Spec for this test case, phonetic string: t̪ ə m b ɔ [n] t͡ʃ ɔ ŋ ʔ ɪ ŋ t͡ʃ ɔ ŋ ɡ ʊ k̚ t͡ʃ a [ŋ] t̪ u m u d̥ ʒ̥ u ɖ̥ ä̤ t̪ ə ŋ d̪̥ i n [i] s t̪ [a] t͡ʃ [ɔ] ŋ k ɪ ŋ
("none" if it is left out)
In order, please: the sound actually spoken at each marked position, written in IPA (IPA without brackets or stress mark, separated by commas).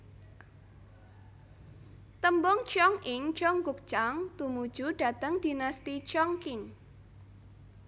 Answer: ŋ, ŋ, a, i, ɔ